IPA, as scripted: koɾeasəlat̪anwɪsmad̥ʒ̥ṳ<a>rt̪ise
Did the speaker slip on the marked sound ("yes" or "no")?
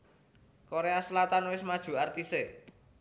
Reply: no